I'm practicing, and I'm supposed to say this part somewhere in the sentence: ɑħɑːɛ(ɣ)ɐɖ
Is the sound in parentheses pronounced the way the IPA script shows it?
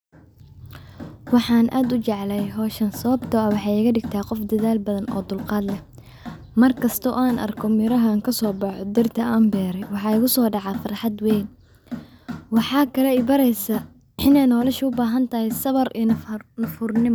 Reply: yes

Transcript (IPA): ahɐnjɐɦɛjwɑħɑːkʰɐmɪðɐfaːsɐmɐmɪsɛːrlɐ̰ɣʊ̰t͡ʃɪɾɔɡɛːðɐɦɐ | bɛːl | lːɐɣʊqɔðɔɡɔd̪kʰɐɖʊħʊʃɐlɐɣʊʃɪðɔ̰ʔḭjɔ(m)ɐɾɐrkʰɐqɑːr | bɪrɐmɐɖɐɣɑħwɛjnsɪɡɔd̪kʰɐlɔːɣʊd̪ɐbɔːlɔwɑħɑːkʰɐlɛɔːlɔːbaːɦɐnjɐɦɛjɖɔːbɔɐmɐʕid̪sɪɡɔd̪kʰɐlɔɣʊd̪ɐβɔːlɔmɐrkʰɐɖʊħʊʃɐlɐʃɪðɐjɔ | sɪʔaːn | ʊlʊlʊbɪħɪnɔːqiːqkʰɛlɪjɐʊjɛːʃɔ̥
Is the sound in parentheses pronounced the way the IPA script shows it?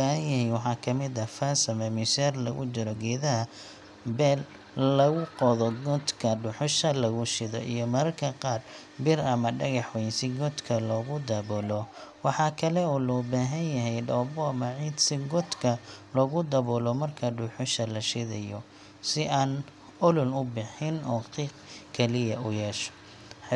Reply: yes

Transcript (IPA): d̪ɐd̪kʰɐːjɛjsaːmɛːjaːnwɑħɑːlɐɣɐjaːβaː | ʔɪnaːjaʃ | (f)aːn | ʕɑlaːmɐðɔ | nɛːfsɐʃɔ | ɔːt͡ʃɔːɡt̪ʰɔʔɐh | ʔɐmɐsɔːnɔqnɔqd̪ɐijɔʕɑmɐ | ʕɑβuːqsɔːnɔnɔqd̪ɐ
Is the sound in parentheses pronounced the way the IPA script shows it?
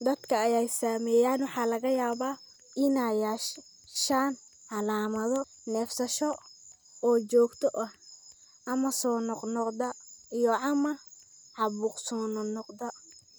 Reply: no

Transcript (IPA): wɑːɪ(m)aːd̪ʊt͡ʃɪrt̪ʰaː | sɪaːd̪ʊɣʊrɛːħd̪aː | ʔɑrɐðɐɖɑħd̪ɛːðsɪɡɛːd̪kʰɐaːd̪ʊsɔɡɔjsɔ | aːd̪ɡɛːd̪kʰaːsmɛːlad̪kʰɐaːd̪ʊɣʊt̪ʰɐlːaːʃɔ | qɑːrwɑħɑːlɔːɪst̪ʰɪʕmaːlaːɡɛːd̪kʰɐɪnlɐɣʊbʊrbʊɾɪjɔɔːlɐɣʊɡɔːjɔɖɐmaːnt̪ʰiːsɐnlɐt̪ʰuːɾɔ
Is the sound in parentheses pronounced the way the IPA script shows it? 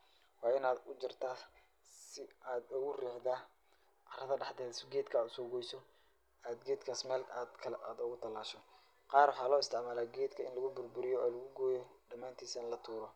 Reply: no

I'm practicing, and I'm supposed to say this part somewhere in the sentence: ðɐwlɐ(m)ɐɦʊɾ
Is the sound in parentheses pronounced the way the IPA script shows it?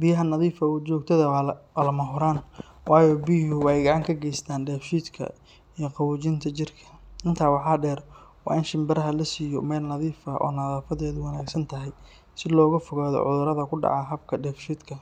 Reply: yes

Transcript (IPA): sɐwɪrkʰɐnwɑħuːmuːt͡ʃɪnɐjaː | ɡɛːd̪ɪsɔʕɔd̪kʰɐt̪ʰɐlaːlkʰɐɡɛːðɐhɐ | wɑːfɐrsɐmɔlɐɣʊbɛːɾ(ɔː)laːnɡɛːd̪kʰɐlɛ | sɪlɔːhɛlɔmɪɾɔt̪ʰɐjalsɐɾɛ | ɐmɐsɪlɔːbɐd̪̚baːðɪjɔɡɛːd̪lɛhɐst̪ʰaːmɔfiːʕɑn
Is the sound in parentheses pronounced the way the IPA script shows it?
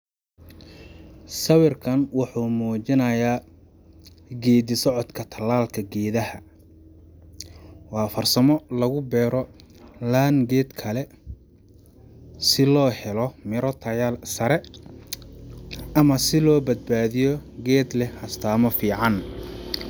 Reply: no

